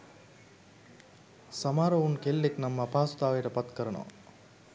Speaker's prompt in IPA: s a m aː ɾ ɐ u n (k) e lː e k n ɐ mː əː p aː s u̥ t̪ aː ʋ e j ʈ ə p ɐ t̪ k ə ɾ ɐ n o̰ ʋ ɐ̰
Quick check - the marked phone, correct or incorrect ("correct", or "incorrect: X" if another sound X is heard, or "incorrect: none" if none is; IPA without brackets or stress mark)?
correct